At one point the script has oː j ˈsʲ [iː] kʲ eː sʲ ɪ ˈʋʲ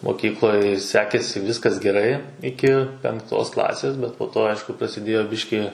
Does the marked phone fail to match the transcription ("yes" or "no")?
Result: yes